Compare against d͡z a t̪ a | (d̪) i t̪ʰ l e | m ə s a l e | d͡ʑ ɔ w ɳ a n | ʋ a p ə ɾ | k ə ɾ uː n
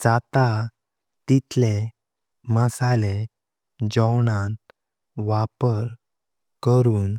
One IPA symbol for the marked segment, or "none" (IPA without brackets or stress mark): t̪